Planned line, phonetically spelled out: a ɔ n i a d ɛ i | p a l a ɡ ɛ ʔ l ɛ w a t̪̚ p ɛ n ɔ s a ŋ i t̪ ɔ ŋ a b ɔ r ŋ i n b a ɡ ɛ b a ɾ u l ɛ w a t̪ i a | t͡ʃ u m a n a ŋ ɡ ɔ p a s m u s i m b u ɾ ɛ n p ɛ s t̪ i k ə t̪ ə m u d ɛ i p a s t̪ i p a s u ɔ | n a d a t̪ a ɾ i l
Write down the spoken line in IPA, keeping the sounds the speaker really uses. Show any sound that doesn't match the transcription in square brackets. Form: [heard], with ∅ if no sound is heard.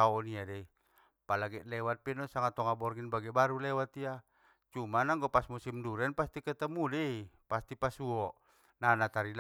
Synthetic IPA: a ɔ n i a d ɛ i | p a l a ɡ ɛ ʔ l ɛ w a t̪̚ p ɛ n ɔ s a ŋ [a] t̪ ɔ ŋ a b ɔ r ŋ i n b a ɡ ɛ b a ɾ u l ɛ w a t̪ i a | t͡ʃ u m a n a ŋ ɡ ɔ p a s m u s i m [d] u ɾ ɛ n p [a] s t̪ i k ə t̪ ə m u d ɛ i p a s t̪ i p a s u ɔ | n a [n] a t̪ a ɾ i l